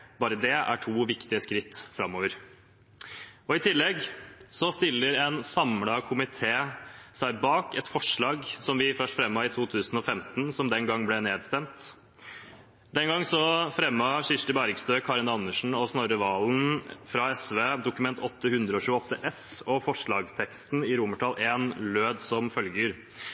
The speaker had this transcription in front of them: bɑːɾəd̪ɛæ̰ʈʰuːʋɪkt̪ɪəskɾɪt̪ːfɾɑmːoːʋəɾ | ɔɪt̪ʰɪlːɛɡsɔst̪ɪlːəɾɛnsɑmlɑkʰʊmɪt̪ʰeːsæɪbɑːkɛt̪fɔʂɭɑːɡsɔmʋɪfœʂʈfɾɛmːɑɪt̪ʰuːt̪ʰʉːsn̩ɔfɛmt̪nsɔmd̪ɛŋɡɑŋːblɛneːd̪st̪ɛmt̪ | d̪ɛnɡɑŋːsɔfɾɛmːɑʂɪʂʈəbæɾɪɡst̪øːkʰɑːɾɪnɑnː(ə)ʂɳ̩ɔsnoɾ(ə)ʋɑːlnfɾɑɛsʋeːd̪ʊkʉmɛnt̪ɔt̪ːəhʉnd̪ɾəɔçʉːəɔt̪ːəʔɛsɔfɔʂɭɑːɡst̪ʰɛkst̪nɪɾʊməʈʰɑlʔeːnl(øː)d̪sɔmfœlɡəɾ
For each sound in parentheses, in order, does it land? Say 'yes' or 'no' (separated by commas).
yes, yes, yes